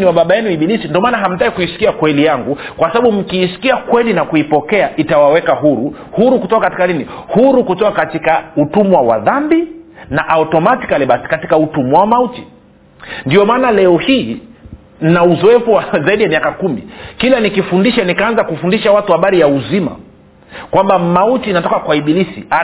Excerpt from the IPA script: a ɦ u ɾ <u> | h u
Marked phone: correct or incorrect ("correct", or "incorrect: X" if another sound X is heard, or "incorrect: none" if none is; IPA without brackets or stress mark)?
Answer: correct